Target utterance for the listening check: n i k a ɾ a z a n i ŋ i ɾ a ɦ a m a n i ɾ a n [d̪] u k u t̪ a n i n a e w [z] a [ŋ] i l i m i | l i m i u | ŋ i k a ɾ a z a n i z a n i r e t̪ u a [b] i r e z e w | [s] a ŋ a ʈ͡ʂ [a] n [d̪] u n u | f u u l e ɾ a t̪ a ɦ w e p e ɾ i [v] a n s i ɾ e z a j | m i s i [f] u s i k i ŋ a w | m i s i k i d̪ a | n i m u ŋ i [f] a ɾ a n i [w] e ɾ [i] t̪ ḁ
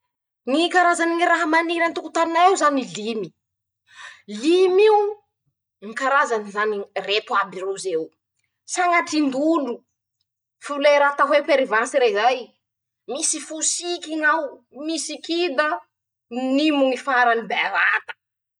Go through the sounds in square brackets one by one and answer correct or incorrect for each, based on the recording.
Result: incorrect: t̪, correct, incorrect: n, correct, correct, incorrect: i, correct, correct, correct, correct, incorrect: b, incorrect: a

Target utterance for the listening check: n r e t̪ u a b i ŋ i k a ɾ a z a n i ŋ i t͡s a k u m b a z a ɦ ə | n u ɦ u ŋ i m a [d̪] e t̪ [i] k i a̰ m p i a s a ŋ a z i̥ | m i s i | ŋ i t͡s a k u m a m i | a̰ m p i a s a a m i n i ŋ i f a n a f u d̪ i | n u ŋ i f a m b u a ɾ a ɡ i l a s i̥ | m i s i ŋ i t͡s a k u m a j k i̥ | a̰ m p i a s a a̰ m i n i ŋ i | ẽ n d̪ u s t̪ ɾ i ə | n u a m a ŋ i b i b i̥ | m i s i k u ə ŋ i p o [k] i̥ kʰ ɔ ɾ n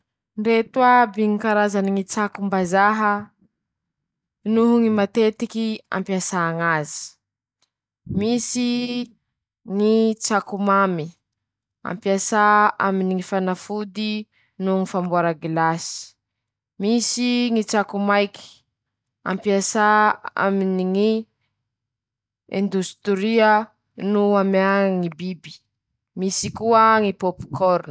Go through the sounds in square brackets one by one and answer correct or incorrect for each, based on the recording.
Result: incorrect: t̪, correct, incorrect: p

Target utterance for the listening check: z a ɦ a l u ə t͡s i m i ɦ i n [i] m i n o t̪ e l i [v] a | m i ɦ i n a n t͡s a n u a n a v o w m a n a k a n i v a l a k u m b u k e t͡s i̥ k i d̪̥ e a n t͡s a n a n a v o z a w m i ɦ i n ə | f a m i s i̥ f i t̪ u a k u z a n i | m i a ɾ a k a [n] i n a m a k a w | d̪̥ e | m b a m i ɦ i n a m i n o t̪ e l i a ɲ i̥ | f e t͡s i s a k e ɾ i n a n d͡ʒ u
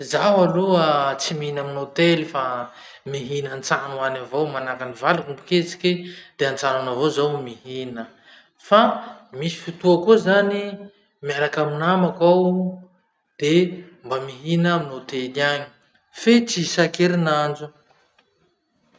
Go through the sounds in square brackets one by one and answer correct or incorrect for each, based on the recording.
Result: incorrect: a, incorrect: f, incorrect: m

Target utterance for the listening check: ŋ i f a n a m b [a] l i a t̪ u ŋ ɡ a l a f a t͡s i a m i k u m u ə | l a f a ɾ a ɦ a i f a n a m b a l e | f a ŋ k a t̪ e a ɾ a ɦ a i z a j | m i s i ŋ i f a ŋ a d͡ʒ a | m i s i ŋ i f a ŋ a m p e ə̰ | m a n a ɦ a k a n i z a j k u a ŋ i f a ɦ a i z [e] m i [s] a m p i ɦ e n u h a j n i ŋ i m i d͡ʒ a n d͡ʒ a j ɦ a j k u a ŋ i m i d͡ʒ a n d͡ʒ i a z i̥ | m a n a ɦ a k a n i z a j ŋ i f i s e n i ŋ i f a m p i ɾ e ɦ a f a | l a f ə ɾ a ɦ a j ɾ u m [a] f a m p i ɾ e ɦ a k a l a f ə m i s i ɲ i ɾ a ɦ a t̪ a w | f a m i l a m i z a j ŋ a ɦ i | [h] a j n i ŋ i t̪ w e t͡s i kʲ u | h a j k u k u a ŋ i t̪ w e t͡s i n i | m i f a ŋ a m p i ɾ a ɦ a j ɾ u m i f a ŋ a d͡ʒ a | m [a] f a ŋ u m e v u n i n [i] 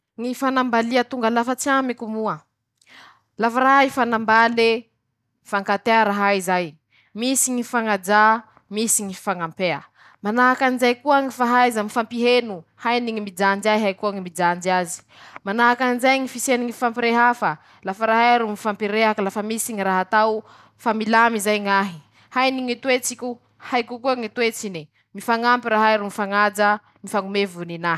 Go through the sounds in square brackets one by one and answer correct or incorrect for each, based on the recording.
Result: correct, incorrect: a, incorrect: f, incorrect: i, correct, incorrect: i, incorrect: a

